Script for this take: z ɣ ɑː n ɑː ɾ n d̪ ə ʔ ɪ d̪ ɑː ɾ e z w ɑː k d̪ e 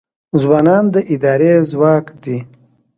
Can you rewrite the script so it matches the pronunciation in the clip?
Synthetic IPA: z w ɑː n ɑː n d̪ ə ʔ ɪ d̪ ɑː ɾ e z w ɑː k d̪ i